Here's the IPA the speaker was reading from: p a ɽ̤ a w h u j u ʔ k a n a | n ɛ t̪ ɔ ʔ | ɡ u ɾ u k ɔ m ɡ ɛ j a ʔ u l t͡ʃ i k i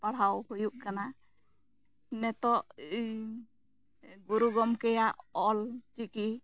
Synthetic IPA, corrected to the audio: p a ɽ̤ a w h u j u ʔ k a n a | n ɛ t̪ ɔ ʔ | ɡ u ɾ u ɡ ɔ m k ɛ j a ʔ ɔ l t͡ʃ i k i